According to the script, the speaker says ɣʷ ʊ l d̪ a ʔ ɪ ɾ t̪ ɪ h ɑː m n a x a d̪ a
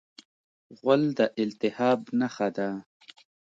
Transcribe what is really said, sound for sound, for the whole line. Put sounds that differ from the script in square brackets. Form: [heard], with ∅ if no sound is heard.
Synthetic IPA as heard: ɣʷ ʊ l d̪ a ʔ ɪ [l] t̪ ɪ h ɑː [b] n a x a d̪ a